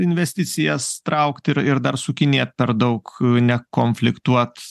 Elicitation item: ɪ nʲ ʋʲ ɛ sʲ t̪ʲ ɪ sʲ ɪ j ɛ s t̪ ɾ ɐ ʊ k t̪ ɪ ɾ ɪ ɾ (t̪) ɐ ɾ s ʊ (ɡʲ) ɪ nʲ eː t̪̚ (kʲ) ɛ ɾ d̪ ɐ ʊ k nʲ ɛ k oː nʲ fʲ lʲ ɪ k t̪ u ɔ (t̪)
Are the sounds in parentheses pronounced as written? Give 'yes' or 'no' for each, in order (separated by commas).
no, no, no, yes